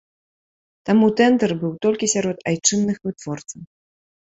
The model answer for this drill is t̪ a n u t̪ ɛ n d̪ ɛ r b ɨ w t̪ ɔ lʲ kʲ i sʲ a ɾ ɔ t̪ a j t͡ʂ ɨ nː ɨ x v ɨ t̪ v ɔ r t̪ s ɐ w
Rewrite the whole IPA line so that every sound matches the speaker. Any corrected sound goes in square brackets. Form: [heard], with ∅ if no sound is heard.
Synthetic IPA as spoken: t̪ a [m] u t̪ ɛ n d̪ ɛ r b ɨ w t̪ ɔ lʲ kʲ i sʲ a ɾ ɔ t̪ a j t͡ʂ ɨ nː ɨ x v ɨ t̪ v ɔ r t̪ s ɐ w